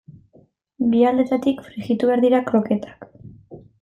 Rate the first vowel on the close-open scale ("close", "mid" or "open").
close